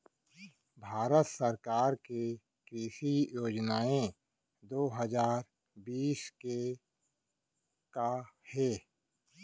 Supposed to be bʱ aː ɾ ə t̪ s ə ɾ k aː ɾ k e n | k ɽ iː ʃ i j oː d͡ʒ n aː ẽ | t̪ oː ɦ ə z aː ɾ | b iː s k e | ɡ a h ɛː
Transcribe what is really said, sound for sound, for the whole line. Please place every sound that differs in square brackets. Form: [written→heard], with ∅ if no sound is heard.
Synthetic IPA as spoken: bʱ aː ɾ ə t̪ s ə ɾ k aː ɾ k e [n→∅] | k [ɽ→ɾ] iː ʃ i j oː d͡ʒ n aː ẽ | [t̪→d̪] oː ɦ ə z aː ɾ | b iː s k e | [ɡ→k] a h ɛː